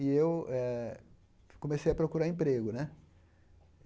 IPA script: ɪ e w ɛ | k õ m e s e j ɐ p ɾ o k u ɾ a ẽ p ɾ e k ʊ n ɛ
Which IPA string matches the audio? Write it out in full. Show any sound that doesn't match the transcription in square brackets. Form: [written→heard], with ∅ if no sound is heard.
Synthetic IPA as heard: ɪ e w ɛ | k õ m e s e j ɐ p ɾ o k u ɾ a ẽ p ɾ e [k→ɡ] ʊ n ɛ